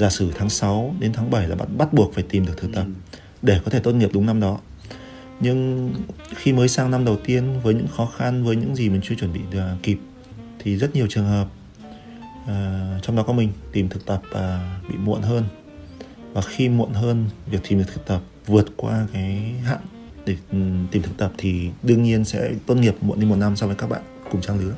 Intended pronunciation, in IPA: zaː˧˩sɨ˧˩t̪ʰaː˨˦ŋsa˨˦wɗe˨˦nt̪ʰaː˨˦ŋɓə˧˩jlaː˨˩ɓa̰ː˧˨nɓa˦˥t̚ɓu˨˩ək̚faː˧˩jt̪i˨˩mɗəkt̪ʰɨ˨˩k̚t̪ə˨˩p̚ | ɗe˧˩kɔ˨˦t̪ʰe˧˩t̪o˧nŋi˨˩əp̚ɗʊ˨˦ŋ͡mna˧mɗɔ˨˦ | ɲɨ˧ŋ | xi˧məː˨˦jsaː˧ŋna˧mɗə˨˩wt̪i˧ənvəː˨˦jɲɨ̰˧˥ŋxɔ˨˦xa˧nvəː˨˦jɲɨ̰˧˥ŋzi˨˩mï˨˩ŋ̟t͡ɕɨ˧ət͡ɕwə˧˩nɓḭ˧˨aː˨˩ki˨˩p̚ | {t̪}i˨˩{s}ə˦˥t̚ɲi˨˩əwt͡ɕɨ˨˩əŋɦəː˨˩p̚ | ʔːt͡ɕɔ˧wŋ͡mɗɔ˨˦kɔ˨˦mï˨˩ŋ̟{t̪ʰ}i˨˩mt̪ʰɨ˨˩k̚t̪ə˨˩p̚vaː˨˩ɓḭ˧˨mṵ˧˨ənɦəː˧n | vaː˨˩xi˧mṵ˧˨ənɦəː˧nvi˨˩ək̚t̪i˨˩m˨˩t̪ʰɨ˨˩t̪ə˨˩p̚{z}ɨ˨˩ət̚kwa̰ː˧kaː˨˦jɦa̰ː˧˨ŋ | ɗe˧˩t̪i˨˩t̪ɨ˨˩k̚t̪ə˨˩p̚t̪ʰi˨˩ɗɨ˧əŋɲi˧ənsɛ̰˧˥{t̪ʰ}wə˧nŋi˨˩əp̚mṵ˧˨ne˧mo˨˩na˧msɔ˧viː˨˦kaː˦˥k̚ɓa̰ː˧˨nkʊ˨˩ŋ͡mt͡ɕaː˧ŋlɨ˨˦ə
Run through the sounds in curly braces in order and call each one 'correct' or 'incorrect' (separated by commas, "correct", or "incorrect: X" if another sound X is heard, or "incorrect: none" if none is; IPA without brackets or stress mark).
incorrect: t̪ʰ, incorrect: z, incorrect: t̪, incorrect: v, incorrect: t̪